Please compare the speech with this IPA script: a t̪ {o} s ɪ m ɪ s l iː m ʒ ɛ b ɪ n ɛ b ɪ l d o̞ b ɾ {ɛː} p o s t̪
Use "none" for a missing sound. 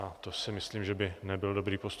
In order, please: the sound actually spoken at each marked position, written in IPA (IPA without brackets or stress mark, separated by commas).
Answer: o, iː